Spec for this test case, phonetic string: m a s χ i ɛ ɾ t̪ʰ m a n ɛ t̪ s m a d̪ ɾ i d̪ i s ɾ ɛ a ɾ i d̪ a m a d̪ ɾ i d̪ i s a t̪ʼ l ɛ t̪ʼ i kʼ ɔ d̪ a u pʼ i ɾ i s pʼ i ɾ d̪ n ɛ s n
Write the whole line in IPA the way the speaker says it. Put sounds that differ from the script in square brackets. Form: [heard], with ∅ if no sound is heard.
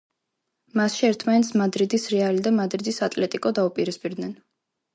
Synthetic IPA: m a s [ʃ] i ɛ ɾ t̪ʰ m a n ɛ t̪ s m a d̪ ɾ i d̪ i s ɾ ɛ a [l] i d̪ a m a d̪ ɾ i d̪ i s a t̪ʼ l ɛ t̪ʼ i kʼ ɔ d̪ a u pʼ i ɾ i s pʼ i ɾ d̪ n ɛ [∅] n